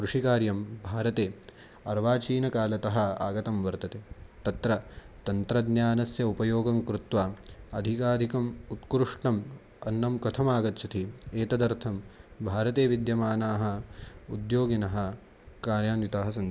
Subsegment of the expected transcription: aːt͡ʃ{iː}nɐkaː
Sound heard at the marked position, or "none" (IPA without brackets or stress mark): iː